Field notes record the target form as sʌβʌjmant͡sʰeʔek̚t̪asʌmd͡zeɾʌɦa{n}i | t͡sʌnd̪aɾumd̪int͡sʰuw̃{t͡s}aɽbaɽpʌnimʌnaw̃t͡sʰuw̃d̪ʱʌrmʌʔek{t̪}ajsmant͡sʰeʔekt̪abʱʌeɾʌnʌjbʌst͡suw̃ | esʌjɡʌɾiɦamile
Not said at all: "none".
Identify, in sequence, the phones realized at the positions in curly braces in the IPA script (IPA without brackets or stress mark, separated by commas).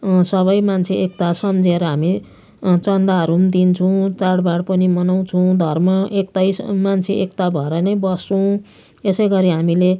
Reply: m, t͡s, t̪